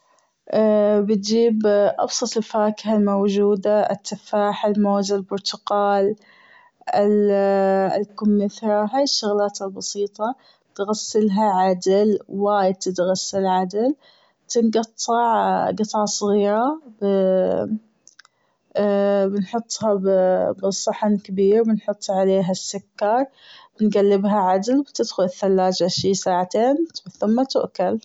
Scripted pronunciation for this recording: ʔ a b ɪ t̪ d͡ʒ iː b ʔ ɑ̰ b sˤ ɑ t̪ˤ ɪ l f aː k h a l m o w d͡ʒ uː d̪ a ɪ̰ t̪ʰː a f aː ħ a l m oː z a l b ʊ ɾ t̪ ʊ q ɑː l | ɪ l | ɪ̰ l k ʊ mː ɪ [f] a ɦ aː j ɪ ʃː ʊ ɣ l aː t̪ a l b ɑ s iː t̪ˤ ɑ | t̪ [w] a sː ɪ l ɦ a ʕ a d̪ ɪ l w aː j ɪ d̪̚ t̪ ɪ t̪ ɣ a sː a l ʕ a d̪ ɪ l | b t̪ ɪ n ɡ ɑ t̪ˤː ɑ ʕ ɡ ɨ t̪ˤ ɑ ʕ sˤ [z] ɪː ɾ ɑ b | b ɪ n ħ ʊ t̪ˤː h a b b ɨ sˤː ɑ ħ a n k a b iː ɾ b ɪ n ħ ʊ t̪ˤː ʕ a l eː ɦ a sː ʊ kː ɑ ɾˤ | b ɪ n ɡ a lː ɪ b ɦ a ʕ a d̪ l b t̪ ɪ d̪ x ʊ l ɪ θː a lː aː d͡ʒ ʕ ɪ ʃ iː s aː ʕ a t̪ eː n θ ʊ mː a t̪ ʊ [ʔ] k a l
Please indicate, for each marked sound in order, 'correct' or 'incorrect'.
incorrect: θ, incorrect: ɣ, incorrect: ɣ, correct

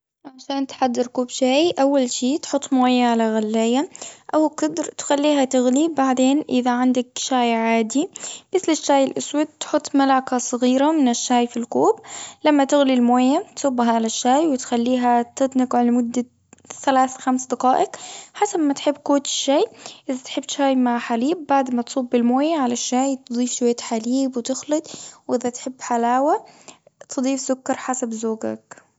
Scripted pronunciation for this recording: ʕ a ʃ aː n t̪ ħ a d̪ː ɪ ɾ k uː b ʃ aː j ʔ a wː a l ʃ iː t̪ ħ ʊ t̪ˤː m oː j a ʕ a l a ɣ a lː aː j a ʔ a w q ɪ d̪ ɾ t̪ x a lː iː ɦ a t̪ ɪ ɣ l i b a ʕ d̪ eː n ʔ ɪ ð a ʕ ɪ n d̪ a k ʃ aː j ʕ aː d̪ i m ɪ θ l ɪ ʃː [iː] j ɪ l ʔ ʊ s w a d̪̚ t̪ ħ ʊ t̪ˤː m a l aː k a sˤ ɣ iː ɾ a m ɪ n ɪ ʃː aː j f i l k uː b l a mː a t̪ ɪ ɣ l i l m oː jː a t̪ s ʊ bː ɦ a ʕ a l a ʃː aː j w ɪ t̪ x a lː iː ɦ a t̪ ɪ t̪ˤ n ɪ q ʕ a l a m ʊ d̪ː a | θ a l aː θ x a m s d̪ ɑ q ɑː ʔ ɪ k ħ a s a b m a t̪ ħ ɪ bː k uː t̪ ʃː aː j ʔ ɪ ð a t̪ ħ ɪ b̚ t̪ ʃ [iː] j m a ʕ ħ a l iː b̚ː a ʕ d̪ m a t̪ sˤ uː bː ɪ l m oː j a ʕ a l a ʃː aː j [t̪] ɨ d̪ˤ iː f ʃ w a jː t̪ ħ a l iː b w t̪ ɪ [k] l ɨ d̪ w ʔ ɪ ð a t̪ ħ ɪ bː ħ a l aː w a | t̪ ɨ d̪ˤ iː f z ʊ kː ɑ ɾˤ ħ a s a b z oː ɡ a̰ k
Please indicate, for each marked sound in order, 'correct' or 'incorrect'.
incorrect: aː, incorrect: aː, correct, incorrect: x

